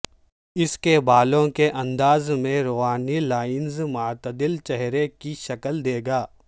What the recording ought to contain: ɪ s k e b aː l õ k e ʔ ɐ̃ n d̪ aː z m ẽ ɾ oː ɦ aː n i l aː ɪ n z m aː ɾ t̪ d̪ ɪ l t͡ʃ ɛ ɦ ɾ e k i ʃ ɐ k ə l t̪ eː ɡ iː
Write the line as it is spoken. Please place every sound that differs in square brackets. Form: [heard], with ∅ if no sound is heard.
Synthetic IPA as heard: ɪ s k e b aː l õ k e ʔ ɐ̃ n d̪ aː z m ẽ ɾ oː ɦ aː n i l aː ɪ n z m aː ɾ t̪ d̪ ɪ l t͡ʃ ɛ ɦ ɾ e k i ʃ ɐ k ə l [d̪] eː ɡ [aː]